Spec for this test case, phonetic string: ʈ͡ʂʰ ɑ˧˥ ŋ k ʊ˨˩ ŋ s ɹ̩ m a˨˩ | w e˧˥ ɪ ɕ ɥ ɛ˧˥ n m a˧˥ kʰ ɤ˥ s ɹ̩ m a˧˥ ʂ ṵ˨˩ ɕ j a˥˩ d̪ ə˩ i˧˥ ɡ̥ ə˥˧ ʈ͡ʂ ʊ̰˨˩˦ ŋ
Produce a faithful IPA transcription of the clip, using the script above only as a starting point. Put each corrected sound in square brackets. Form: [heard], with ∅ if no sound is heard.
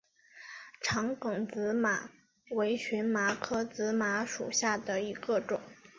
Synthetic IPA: ʈ͡ʂʰ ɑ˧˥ ŋ k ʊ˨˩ ŋ [t͡s] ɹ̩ m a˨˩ | w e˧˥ ɪ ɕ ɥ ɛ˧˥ n m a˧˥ kʰ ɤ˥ [t͡s] ɹ̩ m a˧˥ ʂ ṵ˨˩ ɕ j a˥˩ d̪ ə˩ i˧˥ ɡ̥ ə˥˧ ʈ͡ʂ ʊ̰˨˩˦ ŋ